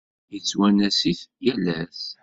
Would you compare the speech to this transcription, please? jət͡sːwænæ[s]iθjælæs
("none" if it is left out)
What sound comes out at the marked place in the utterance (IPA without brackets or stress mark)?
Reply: s